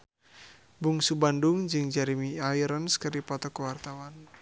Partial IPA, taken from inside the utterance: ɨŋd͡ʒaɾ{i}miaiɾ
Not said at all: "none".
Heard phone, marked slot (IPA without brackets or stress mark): i